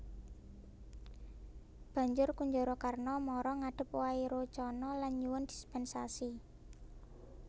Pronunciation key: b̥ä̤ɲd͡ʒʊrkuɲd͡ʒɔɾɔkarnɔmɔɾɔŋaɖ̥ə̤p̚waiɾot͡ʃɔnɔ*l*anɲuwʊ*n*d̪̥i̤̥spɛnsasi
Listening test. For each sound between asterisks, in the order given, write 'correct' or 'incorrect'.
correct, correct

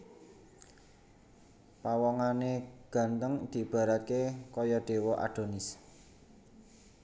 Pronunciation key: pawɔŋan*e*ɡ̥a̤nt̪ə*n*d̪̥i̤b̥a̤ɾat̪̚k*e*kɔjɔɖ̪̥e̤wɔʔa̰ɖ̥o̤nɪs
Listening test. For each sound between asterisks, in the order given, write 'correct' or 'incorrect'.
correct, incorrect: ŋ, correct

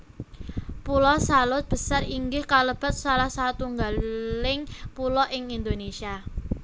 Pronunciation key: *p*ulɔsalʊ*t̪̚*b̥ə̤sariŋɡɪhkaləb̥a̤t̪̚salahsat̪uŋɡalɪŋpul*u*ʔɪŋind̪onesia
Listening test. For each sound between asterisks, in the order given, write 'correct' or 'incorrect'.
correct, correct, incorrect: ɔ

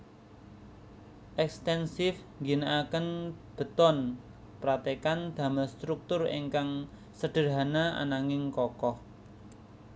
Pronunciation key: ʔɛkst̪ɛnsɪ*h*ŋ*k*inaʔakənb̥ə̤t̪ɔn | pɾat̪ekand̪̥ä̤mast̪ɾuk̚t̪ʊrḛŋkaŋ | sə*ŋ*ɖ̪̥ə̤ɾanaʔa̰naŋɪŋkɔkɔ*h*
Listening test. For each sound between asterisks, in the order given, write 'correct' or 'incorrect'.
incorrect: f, incorrect: ɡ, incorrect: none, correct

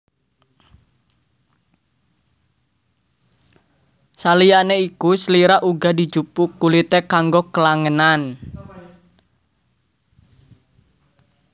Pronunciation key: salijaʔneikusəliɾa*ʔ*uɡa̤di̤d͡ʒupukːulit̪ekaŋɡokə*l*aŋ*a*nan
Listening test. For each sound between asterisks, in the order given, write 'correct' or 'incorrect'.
correct, correct, incorrect: ə

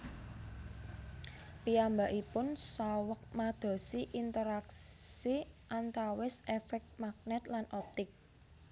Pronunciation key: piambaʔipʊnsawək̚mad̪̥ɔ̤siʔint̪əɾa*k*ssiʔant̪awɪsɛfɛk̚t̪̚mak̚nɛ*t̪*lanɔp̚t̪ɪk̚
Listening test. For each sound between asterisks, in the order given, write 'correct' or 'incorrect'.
correct, correct

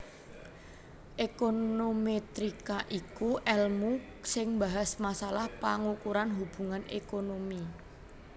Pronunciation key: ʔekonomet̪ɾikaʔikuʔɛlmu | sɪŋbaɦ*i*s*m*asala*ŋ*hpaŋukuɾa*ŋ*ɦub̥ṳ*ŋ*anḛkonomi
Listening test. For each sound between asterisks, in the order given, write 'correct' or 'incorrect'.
incorrect: a, correct, incorrect: none, incorrect: n, correct

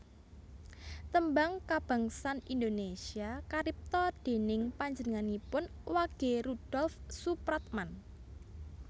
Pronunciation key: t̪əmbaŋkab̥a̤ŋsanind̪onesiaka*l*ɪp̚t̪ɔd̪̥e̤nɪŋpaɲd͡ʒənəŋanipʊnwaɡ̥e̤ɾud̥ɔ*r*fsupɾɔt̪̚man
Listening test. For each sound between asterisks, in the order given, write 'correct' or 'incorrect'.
incorrect: ɾ, incorrect: l

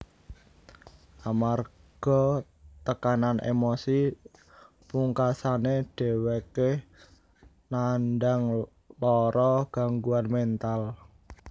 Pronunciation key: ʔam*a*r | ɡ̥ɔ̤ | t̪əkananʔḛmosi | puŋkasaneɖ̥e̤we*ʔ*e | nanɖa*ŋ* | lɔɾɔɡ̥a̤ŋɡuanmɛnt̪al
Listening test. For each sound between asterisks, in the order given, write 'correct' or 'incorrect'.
correct, incorrect: k, correct

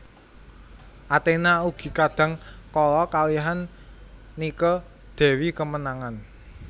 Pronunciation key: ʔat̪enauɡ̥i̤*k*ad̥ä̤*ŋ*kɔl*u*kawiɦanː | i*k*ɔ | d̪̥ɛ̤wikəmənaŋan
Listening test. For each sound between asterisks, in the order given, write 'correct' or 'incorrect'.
correct, correct, incorrect: ɔ, correct

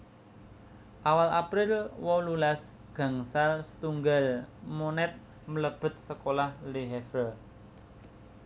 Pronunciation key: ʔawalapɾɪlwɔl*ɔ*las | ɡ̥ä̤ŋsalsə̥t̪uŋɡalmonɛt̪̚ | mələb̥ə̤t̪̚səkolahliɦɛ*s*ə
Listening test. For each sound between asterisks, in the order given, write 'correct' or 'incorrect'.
incorrect: u, incorrect: f

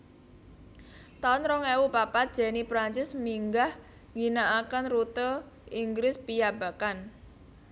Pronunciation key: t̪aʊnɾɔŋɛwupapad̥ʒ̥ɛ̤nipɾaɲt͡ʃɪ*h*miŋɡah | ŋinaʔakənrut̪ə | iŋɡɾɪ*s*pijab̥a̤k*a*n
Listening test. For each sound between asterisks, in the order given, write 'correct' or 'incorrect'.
incorrect: s, correct, correct

